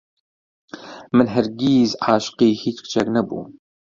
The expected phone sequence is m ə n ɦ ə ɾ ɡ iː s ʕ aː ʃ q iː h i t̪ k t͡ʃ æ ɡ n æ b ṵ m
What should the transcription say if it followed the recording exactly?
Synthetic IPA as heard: m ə n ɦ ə ɾ ɡ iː z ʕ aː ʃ q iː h i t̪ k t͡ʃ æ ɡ n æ b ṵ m